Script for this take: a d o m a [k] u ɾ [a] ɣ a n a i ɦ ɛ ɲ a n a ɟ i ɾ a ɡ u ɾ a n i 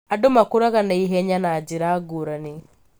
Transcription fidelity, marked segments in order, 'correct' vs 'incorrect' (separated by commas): correct, correct